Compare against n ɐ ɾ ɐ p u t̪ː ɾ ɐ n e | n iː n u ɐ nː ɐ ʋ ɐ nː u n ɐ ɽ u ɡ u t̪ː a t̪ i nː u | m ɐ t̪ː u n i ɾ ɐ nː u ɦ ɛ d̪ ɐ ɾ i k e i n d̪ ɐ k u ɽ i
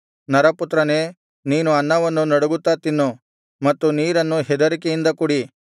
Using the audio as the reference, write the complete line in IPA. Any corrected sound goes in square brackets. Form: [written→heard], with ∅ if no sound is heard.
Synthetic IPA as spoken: n ɐ ɾ ɐ p u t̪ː ɾ ɐ n e | n iː n u ɐ nː ɐ ʋ ɐ nː u n ɐ ɽ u ɡ u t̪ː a t̪ i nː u | m ɐ t̪ː u n [i→iː] ɾ ɐ nː u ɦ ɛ d̪ ɐ ɾ i k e i n d̪ ɐ k u ɽ i